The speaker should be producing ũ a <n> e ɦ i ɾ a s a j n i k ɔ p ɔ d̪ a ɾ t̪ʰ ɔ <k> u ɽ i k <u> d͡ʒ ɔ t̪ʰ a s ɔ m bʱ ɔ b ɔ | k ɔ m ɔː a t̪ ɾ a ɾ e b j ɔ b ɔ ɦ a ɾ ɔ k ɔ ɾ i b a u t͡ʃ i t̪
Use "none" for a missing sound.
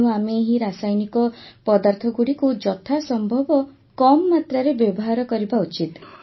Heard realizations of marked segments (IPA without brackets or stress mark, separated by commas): m, ɡ, u